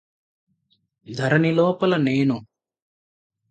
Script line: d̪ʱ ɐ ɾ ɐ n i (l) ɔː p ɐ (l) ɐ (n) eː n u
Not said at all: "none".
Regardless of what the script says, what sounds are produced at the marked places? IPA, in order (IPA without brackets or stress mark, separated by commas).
l, l, n